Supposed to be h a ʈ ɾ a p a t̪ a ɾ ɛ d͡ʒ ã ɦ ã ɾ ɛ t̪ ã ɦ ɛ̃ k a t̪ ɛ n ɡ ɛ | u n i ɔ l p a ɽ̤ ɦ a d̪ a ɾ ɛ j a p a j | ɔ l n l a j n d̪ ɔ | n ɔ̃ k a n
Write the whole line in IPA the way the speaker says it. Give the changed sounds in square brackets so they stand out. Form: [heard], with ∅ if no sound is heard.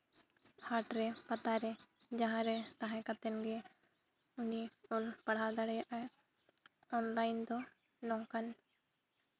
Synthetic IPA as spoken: h a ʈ ɾ [ɛ] p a t̪ a ɾ ɛ d͡ʒ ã ɦ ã ɾ ɛ t̪ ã ɦ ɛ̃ k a t̪ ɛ n ɡ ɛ | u n i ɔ l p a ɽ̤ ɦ a d̪ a [ɽ] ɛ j a [ʔ] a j | ɔ [∅] n l a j n d̪ ɔ | n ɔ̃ k a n